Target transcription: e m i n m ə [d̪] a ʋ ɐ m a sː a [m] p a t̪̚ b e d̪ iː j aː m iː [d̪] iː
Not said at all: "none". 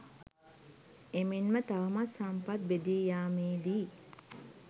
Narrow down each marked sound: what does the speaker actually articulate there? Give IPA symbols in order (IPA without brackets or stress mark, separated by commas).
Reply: t̪, m, d̪